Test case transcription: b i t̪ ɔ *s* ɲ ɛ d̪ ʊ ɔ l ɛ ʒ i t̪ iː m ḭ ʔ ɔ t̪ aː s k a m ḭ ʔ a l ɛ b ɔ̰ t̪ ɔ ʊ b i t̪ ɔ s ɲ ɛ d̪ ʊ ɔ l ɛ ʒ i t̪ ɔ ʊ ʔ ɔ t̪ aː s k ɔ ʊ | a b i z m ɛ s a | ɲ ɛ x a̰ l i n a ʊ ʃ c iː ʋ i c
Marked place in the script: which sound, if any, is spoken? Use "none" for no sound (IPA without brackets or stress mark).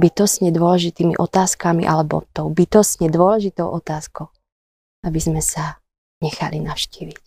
s